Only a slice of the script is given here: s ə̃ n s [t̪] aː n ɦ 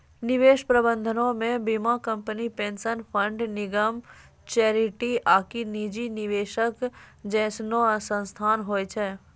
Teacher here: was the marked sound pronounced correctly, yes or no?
no